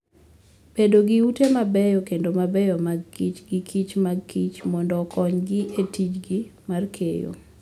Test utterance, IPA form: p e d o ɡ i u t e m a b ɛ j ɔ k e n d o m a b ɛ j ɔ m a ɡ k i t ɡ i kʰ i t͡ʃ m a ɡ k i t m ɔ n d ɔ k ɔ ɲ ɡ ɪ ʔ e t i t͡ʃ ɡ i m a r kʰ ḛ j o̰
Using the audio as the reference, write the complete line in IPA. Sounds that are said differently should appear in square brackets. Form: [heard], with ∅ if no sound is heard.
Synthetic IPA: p e d o ɡ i u t e m a b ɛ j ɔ k e n d o m a b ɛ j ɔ m a ɡ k i [t͡ʃ] ɡ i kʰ i t͡ʃ m a ɡ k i [t͡ʃ] m ɔ n d ɔ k ɔ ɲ ɡ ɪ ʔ e t i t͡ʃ ɡ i m a r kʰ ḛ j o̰